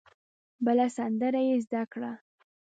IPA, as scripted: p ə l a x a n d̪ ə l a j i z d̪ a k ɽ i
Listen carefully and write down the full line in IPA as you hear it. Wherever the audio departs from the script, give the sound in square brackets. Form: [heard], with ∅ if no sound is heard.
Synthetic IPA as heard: [b] ə l a [s] a n d̪ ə [ɾ] a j [e] z d̪ a k ɽ [a]